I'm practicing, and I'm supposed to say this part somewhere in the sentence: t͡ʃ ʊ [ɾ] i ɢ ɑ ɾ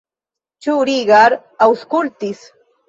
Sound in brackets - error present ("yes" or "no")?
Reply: no